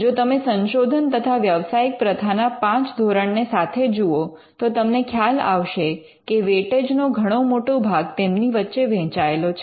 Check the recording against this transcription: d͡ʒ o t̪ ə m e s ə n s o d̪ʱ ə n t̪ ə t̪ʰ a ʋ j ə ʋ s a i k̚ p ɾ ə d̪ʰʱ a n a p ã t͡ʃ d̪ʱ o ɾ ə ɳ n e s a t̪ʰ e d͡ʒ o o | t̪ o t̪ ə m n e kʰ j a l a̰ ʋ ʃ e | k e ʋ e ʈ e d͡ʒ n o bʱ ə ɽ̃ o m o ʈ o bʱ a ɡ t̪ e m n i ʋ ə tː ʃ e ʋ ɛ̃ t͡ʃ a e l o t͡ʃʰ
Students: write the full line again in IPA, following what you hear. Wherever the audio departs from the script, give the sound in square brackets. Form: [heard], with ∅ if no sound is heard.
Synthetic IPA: d͡ʒ o t̪ ə m e s ə n [ʃ] o d̪ʱ ə n t̪ ə t̪ʰ a ʋ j ə ʋ s a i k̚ p ɾ ə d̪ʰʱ a n a p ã t͡ʃ d̪ʱ o ɾ ə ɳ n e s a t̪ʰ e d͡ʒ [u] o | t̪ o t̪ ə m n e kʰ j a l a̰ ʋ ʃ e | k e ʋ e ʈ e d͡ʒ n o [ɡʱ] ə ɽ̃ o m o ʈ o bʱ a ɡ t̪ e m n i ʋ ə tː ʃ e ʋ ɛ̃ t͡ʃ a e l o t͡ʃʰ